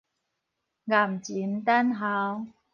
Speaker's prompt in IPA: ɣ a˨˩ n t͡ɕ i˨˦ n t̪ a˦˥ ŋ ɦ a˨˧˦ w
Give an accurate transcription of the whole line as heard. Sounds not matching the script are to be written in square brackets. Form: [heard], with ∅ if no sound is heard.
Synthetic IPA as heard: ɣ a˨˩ [m] t͡ɕ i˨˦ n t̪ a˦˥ [n] ɦ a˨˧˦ w